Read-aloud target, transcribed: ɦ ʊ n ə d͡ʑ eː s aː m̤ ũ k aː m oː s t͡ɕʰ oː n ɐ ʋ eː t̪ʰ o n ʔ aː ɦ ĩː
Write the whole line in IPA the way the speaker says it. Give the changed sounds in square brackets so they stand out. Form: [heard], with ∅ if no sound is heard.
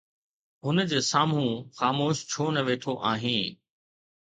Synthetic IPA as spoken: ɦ ʊ n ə d͡ʑ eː s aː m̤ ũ [x] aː m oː [ʃ] t͡ɕʰ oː n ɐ ʋ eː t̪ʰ o [∅] ʔ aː ɦ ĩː